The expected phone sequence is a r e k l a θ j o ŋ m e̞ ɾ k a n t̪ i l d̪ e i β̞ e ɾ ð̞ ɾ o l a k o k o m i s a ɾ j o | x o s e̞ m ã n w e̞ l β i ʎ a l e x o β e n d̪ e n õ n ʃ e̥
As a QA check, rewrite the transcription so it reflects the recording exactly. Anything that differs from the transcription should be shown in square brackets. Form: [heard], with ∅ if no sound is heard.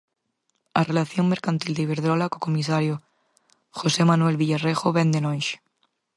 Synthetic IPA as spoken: a r e [∅] l a θ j o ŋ m e̞ ɾ k a n t̪ i l d̪ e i β̞ e ɾ ð̞ ɾ o l a k o k o m i s a ɾ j o | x o s e̞ m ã n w e̞ l β i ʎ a [r] e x o β e n d̪ e n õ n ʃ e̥